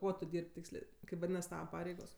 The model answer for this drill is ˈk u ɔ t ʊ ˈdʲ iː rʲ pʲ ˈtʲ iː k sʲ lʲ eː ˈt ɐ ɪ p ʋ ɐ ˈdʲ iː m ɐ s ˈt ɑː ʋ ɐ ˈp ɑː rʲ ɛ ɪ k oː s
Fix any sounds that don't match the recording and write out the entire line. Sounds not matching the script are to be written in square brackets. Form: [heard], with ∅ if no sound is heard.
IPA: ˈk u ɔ t ʊ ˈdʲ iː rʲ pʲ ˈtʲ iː k sʲ lʲ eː [ˈk] ɐ ɪ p ʋ ɐ ˈdʲ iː [n] ɐ s ˈt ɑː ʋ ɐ ˈp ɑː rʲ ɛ ɪ [ɡ] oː s